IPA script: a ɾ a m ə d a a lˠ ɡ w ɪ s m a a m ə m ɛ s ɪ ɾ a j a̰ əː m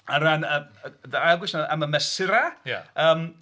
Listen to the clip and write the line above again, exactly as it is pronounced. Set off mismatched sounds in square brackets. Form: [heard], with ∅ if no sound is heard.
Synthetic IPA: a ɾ a [n] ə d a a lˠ ɡ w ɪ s [n] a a m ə m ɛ s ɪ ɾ a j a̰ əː m